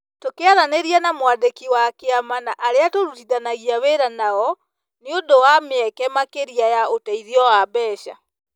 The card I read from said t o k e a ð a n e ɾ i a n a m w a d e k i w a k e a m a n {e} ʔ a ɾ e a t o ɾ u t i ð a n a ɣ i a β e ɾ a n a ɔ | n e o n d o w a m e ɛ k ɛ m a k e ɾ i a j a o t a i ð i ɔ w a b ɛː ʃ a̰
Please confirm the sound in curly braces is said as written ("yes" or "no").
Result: no